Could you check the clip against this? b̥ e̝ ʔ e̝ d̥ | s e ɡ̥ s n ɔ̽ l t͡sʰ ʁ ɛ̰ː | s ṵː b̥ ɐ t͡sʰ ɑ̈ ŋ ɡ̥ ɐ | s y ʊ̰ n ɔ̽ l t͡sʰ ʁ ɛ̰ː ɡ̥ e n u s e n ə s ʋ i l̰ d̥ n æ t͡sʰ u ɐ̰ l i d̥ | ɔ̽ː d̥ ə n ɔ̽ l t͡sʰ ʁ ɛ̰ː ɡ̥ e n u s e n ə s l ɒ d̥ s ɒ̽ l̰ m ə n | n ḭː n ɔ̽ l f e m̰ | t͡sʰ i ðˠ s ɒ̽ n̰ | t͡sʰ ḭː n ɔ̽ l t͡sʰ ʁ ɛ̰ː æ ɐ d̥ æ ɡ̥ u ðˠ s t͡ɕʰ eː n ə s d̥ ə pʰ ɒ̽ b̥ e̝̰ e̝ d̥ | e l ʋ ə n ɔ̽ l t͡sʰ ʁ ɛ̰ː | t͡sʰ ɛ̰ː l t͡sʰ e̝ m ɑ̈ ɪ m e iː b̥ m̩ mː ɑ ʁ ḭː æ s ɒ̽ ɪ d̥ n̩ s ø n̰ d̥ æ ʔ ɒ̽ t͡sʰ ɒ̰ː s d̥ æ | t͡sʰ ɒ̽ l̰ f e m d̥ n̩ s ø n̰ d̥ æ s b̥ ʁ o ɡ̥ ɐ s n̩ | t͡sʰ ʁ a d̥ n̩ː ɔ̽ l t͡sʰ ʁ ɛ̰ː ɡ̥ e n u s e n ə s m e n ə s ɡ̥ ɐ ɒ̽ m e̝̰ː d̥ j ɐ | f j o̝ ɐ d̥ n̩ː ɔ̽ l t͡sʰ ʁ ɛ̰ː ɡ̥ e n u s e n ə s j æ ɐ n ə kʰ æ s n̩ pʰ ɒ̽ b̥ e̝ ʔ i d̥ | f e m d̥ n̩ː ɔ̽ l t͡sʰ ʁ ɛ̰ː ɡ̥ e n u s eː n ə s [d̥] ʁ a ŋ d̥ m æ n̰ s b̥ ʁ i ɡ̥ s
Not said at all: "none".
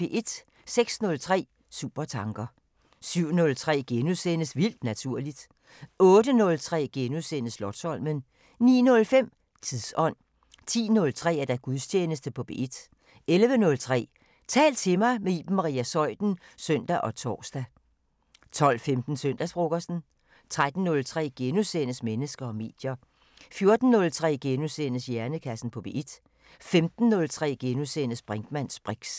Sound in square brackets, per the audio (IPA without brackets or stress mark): b̥